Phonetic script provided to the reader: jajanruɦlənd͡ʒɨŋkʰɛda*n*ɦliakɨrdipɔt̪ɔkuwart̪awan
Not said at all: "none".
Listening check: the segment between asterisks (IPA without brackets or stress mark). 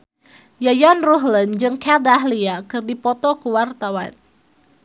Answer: none